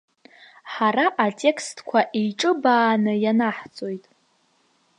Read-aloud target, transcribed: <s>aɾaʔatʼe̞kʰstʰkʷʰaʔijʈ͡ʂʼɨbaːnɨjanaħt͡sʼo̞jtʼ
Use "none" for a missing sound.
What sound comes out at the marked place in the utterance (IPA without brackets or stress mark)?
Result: ħ